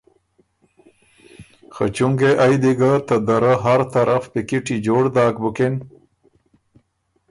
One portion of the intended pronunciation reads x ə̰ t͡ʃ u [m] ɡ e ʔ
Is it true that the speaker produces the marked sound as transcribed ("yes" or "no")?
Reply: no